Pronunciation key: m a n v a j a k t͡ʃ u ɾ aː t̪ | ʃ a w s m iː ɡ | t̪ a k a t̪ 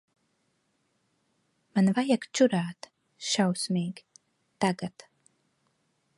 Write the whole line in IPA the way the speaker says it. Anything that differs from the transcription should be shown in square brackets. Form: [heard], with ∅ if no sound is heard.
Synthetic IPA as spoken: m a n v a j a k t͡ʃ u ɾ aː t̪ | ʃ a w s m iː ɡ | t̪ a [ɡ] a t̪